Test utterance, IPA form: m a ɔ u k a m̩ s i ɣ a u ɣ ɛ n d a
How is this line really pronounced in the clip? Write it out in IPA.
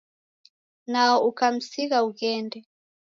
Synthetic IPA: n a ɔ u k a m̩ s i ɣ a u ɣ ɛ n d ɛ

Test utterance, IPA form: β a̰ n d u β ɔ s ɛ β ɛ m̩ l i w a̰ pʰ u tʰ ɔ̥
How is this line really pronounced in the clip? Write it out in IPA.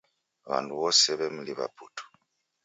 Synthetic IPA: β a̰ n d u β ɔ s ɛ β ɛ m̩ l i β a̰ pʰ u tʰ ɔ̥

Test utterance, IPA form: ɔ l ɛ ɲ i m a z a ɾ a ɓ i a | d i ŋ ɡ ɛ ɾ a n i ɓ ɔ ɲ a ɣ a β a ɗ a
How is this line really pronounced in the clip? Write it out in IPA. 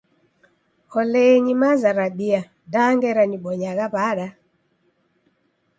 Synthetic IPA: ɔ l ɛ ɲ i m a z a ɾ a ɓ i a | d a ŋ ɡ ɛ ɾ a n i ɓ ɔ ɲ a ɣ a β a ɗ a

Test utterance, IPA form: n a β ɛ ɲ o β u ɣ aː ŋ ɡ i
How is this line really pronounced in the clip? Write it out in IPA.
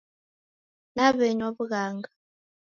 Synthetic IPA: n a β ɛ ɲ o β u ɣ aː ŋ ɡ a

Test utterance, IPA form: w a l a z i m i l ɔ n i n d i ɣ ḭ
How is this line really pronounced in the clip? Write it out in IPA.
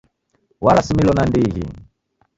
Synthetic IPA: w a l a s i m i l ɔ n a n d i ɣ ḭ

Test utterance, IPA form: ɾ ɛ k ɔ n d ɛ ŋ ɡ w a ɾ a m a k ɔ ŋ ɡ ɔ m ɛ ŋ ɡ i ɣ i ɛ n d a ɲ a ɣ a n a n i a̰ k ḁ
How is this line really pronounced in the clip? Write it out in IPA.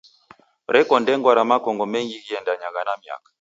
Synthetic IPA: ɾ ɛ k ɔ n d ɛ ŋ ɡ w a ɾ a m a k ɔ ŋ ɡ ɔ m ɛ ŋ ɡ i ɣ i ɛ n d a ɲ a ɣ a n a m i a̰ k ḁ

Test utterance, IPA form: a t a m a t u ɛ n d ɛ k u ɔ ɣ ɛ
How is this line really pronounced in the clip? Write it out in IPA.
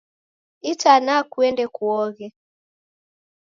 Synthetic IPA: i t a n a k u ɛ n d ɛ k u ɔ ɣ ɛ

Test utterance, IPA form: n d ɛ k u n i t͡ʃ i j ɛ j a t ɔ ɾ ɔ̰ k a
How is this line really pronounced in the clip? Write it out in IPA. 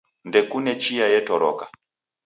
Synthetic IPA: n d ɛ k u n ɛ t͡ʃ i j a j ɛ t ɔ ɾ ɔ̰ k a

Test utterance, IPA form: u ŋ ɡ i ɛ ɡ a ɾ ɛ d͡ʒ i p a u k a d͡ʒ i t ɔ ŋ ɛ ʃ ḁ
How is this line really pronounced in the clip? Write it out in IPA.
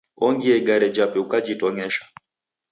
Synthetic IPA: ɔ ŋ ɡ i ɛ ɡ a ɾ ɛ d͡ʒ a p ɛ u k a d͡ʒ i t ɔ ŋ ɛ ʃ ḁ

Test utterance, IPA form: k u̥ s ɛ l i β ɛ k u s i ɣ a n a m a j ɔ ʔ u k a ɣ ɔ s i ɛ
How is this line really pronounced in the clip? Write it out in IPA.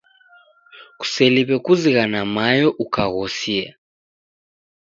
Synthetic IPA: k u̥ s ɛ l i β ɛ k u z i ɣ a n a m a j ɔ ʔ u k a ɣ ɔ s i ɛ

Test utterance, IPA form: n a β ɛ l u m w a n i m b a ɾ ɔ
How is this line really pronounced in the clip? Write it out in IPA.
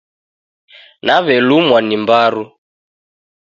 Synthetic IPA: n a β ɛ l u m w a n i m b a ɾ u

